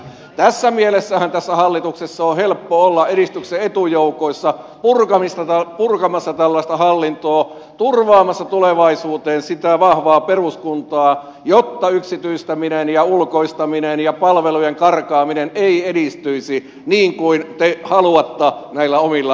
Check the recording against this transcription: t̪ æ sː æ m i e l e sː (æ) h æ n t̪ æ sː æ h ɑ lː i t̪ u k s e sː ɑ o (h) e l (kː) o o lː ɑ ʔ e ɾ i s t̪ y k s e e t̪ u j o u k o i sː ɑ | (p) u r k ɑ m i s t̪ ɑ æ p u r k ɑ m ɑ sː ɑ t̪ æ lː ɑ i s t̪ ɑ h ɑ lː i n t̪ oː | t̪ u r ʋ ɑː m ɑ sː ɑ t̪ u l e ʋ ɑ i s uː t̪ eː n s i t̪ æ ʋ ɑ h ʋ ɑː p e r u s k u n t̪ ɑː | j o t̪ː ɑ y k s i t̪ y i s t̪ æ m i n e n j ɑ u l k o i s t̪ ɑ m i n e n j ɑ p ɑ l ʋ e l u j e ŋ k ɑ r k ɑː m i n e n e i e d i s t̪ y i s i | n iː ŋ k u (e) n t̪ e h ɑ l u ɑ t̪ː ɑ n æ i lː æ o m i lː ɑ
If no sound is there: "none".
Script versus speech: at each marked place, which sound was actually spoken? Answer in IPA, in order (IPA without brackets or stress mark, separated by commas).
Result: æ, h, pː, p, i